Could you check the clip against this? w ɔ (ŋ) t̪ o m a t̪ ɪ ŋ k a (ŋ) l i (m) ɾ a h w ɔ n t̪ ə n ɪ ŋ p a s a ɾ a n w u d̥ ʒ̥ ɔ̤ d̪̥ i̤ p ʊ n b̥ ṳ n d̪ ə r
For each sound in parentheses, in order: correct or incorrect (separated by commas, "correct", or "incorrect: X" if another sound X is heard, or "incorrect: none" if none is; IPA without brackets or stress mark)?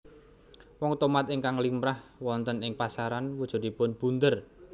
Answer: correct, correct, correct